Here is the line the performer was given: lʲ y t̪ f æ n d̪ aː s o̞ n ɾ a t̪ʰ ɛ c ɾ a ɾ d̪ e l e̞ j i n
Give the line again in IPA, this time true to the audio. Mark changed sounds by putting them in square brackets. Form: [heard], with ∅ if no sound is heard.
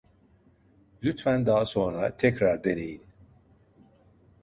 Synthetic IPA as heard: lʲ y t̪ f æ n d̪ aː s o̞ n ɾ a t̪ʰ ɛ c ɾ a ɾ d̪ e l e̞ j i n